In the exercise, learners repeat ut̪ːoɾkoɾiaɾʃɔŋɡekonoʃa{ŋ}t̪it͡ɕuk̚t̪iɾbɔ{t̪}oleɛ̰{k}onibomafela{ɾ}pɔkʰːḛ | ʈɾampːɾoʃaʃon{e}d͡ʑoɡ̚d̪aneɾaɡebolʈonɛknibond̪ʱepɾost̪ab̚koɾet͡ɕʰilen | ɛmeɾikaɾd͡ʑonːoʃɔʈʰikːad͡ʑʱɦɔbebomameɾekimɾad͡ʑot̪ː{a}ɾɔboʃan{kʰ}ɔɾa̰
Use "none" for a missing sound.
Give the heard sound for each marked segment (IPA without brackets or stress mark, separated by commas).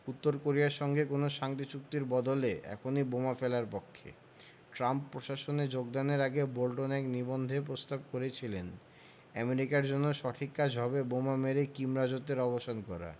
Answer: ŋ, d̪, kʰ, ɾ, e, e, k